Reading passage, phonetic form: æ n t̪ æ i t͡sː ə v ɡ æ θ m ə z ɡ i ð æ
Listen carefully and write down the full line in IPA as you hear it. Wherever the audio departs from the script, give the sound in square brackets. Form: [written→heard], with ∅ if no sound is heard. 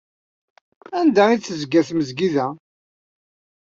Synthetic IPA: æ n [t̪→d̪] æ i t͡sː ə [v→z] ɡ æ θ m ə z ɡ i ð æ

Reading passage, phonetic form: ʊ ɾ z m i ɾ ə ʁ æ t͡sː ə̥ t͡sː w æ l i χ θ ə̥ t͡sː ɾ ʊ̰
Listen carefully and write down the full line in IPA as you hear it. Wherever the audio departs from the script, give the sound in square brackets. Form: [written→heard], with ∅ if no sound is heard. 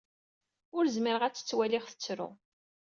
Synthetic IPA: ʊ ɾ z m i ɾ ə ʁ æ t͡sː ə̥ t͡sː w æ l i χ θ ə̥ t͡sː ɾ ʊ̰

